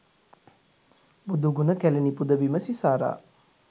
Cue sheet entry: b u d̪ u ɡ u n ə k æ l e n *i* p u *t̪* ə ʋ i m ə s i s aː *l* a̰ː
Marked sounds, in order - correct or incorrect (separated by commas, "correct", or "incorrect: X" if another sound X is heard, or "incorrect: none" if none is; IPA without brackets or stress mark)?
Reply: correct, incorrect: d̪, incorrect: ɾ